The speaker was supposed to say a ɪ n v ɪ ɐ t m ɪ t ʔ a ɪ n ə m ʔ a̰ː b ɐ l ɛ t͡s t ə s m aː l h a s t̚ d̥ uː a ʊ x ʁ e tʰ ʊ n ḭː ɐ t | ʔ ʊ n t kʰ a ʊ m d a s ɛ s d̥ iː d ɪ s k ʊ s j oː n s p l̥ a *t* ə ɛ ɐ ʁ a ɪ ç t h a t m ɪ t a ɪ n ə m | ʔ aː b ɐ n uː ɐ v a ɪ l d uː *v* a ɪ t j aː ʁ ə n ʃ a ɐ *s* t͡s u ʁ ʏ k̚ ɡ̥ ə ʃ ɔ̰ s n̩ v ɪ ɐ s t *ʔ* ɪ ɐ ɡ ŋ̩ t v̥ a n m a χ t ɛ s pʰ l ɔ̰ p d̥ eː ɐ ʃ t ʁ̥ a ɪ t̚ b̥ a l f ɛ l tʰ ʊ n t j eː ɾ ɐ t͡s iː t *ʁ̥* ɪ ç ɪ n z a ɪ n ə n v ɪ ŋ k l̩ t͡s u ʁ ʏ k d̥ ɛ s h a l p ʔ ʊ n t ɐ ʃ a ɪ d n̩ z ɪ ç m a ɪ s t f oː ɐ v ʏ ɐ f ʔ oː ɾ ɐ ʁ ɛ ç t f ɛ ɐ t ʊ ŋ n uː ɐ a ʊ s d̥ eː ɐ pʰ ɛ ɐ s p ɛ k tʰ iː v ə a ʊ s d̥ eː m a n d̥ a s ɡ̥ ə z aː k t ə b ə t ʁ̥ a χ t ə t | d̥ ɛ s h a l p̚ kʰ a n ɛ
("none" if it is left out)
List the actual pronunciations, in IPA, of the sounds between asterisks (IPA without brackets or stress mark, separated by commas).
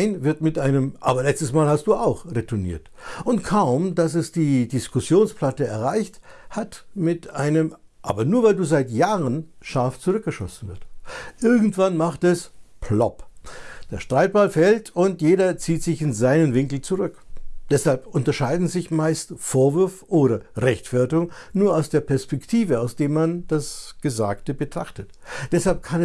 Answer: t, z, f, ʔ, z̥